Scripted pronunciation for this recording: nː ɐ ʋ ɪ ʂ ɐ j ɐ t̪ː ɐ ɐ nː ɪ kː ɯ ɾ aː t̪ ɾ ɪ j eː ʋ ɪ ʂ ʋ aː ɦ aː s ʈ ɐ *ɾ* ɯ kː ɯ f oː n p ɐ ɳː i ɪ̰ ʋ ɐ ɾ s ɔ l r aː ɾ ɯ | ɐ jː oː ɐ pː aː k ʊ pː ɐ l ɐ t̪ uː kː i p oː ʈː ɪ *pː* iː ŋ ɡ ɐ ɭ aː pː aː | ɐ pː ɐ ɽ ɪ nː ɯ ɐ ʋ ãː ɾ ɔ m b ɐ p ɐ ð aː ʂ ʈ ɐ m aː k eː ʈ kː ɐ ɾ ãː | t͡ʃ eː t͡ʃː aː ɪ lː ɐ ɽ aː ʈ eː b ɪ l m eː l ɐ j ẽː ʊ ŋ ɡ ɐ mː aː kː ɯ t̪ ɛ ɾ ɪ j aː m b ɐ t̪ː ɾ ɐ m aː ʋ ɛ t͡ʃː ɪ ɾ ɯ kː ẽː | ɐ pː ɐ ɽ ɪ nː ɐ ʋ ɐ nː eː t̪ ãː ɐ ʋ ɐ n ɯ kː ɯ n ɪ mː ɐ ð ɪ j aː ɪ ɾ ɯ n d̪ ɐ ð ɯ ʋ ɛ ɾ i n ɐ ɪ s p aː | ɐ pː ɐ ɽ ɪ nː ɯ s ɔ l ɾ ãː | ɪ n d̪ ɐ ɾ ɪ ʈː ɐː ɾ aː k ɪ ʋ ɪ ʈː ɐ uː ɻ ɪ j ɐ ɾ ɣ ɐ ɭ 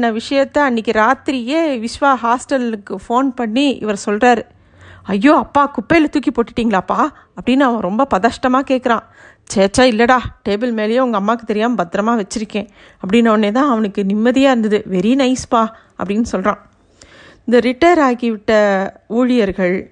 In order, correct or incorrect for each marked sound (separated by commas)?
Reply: incorrect, incorrect